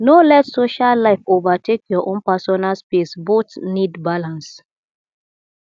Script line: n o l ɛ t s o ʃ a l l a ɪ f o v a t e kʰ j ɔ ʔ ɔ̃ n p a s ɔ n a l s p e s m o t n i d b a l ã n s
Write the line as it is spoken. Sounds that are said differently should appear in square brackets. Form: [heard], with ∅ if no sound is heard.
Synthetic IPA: n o l ɛ t s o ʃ a l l a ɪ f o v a t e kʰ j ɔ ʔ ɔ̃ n p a s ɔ n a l s p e s [b] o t n i d b a l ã n s